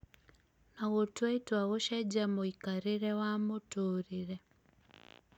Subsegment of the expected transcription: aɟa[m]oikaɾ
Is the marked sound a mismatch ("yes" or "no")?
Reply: no